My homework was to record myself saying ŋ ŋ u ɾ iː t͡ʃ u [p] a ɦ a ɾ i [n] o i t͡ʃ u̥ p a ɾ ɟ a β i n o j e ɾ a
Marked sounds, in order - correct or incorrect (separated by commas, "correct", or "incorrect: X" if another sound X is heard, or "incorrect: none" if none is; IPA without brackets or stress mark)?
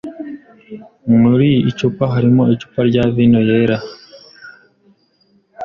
correct, incorrect: m